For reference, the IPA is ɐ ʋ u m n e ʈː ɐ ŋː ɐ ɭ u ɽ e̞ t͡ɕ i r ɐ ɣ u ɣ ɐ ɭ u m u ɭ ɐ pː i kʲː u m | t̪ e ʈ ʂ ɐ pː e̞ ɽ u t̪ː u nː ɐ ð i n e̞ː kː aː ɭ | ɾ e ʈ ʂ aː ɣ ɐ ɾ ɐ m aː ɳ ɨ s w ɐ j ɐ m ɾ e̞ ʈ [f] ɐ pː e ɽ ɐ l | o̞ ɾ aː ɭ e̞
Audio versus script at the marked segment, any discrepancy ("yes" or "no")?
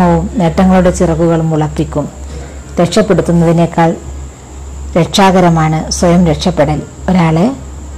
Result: yes